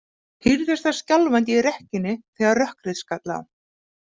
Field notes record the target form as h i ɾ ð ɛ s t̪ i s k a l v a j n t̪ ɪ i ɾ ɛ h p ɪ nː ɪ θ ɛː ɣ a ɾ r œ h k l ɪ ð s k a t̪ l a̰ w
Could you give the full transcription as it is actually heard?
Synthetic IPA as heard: h i ɾ ð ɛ s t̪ a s c a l v a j n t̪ ɪ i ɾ ɛ h c ɪ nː ɪ θ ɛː ɣ a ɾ r œ h k ɾ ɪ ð s k a t̪ l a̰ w

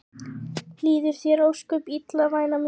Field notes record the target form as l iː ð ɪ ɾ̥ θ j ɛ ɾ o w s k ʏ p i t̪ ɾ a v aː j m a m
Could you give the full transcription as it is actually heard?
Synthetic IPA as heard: l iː ð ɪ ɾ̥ θ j ɛ ɾ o w s k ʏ p i t̪ l a v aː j n a m

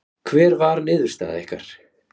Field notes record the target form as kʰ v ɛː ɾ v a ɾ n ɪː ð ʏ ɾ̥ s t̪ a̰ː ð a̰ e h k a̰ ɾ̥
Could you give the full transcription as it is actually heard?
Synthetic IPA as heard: kʰ v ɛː ɾ v a ɾ n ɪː ð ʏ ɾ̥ s t̪ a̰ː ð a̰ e h k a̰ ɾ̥

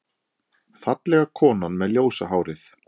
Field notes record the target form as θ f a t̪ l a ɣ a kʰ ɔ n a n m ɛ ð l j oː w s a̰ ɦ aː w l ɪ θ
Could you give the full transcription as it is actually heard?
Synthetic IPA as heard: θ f a t̪ l ɛ ɣ a kʰ ɔː n a n m ɛ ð l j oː w s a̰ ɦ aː w ɾ ɪ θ

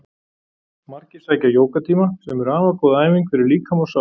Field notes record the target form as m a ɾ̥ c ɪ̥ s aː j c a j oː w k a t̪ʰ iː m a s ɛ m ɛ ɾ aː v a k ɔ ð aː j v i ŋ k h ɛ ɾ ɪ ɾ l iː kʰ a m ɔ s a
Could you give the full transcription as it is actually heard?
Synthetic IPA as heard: m a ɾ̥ c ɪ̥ s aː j c a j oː w k a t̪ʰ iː m a s ɛ m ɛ ɾ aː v a k ɔ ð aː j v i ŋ k f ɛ ɾ ɪ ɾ l iː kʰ a m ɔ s a

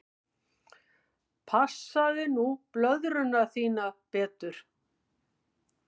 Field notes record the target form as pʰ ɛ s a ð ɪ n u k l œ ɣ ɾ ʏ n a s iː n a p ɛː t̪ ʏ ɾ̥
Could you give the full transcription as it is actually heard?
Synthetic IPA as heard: pʰ a s a ð ɪ n u p l œ ð ɾ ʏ n a θ iː n a p ɛː t̪ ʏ ɾ̥

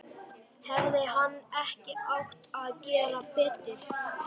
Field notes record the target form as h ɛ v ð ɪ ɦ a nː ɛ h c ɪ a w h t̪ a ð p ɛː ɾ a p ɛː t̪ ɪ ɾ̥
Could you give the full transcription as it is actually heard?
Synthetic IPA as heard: h ɛ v ð ɪ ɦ a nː ɛ h c ɪ a w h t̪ a ð c ɛː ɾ a p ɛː t̪ ɪ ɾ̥

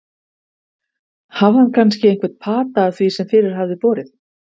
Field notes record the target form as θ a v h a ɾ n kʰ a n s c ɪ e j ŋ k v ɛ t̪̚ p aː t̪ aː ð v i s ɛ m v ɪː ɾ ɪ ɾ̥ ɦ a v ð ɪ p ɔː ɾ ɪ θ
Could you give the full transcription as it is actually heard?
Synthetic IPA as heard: h a v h a n kʰ a n s c ɪ e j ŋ k v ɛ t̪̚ pʰ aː t̪ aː θ v i s ɛ m f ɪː ɾ ɪ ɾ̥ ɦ a v ð ɪ p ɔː ɾ ɪ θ

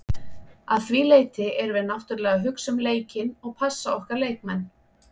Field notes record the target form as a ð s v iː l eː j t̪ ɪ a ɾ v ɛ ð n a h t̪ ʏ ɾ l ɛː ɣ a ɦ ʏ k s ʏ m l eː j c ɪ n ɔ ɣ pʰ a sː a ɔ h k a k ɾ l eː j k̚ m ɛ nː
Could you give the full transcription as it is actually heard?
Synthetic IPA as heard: a ð θ v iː l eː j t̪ ɪ ɛ ɾ v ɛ ð n a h t̪ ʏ ɾ l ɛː ɣ a ɦ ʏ k s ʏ m l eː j c ɪ n ɔ ɣ pʰ a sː a ɔ h k a ɾ l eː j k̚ m ɛ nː

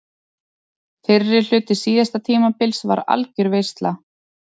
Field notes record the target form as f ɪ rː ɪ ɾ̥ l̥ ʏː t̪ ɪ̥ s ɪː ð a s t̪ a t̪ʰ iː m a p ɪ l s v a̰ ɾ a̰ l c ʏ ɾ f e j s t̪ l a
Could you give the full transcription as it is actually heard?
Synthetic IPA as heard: f ɪ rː ɪ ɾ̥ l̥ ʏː t̪ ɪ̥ s iː ð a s t̪ a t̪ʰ iː m a p ɪ l s v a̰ ɾ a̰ l c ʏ ɾ v e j s t̪ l a

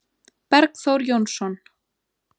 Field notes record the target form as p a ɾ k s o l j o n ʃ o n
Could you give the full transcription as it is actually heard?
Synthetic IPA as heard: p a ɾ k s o ɾ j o n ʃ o n

